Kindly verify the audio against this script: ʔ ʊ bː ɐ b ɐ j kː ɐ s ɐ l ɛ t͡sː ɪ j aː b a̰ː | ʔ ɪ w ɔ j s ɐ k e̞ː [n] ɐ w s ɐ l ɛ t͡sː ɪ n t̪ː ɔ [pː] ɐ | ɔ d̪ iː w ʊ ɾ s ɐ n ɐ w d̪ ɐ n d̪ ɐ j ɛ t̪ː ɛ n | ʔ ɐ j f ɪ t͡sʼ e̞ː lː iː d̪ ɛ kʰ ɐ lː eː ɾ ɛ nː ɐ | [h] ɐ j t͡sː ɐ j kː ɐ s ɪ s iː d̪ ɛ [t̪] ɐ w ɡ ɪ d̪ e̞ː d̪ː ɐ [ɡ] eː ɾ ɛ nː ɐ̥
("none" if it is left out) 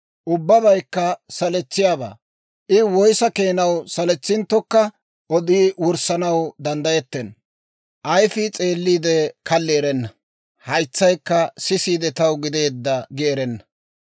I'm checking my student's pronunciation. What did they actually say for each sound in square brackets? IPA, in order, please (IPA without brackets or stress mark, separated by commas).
n, kː, h, t̪, ɡ